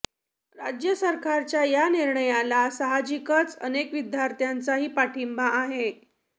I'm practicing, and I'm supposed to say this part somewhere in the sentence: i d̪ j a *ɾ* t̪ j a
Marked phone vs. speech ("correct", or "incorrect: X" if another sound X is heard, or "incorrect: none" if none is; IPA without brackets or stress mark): correct